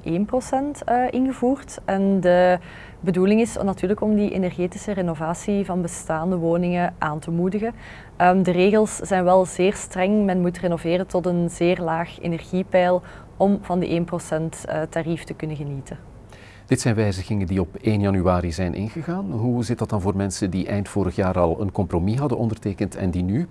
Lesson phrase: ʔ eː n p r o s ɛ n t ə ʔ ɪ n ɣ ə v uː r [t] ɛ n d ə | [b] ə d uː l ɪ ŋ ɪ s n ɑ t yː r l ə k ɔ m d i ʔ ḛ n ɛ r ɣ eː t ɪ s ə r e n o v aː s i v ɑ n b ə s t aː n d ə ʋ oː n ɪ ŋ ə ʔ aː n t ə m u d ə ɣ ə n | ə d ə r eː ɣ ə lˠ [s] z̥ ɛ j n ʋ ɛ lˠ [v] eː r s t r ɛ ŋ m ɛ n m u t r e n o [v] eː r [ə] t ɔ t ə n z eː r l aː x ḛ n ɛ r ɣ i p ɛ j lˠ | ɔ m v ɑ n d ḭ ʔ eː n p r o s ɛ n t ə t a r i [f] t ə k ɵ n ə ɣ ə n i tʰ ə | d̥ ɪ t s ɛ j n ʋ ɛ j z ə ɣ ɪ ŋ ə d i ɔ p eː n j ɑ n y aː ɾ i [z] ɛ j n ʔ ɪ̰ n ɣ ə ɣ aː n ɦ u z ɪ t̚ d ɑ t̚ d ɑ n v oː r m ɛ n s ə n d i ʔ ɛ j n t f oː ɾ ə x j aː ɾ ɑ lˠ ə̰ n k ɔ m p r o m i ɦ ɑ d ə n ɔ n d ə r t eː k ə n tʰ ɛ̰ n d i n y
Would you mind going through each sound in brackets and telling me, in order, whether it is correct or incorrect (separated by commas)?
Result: correct, correct, correct, incorrect, correct, correct, correct, correct